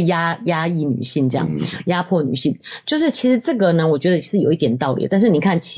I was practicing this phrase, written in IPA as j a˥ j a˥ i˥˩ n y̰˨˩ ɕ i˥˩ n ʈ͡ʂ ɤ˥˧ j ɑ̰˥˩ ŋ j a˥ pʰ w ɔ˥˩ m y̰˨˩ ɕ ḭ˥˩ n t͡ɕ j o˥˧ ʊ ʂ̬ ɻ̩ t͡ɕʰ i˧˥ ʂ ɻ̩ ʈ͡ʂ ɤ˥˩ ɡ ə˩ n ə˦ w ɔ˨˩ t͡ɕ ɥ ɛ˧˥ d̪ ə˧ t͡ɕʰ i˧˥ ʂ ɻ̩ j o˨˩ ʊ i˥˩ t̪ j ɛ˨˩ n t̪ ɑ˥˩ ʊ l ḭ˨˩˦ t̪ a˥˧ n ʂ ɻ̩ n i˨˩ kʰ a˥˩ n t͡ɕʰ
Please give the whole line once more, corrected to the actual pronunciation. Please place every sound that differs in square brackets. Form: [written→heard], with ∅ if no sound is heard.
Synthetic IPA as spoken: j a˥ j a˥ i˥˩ n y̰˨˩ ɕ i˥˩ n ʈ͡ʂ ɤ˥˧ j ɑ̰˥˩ ŋ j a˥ pʰ w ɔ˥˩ [m→n] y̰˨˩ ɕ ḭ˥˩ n t͡ɕ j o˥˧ ʊ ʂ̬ ɻ̩ t͡ɕʰ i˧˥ ʂ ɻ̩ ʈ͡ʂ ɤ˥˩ ɡ ə˩ n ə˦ w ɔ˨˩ t͡ɕ ɥ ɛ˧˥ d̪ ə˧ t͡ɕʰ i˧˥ ʂ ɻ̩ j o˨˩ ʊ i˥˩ t̪ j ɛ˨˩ n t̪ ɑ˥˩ ʊ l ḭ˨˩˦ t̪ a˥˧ n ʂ ɻ̩ n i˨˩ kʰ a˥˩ n t͡ɕʰ